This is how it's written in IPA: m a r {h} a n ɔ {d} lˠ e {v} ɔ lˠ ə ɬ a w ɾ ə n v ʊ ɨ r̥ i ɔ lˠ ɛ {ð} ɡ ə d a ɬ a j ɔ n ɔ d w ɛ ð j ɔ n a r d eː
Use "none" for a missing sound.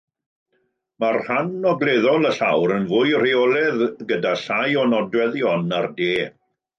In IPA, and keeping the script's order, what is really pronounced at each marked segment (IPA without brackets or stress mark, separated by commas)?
h, ɡ, ð, ð